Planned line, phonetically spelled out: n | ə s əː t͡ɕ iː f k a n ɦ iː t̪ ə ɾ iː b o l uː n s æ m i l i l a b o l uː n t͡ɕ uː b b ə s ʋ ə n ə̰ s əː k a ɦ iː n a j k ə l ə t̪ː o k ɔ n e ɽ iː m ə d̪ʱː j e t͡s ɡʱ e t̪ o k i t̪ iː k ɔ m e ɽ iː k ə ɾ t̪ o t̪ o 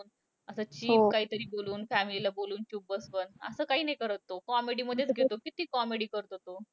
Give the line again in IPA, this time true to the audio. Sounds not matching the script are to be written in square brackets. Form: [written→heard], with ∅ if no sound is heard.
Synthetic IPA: n | ə s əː t͡ɕ iː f k a [n→∅] ɦ iː t̪ ə ɾ iː b o l uː n [s→f] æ m i l i l a b o l uː n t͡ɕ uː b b ə s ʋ ə n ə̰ s əː k a ɦ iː n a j k ə [l→ɾ] ə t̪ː o k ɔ [n→m] e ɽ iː m ə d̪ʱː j e t͡s ɡʱ e t̪ o k i t̪ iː k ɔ m e ɽ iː k ə ɾ t̪ o t̪ o